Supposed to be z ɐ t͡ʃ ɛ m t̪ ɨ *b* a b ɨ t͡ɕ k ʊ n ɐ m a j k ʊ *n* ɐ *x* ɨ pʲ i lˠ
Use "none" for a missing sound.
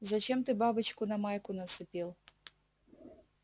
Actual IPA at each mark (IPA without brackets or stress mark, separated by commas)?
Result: b, n, s